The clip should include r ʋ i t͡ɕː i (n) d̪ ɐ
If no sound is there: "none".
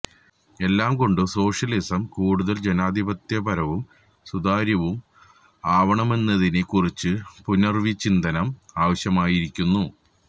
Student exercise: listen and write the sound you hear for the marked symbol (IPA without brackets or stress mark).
n